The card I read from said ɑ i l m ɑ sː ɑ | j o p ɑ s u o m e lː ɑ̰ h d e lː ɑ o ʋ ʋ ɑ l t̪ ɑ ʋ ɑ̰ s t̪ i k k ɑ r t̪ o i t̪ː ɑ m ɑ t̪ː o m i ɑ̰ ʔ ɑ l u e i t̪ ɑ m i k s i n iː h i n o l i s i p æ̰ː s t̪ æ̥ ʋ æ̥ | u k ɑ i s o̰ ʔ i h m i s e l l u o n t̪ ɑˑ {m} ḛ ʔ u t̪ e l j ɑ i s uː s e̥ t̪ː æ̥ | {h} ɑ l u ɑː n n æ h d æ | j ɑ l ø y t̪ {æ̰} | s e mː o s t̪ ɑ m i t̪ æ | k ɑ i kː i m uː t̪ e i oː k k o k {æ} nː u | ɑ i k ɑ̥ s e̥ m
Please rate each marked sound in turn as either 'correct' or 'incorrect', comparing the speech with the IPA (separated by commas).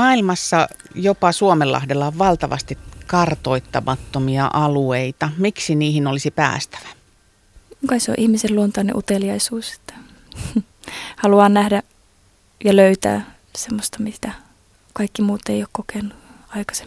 incorrect, correct, incorrect, incorrect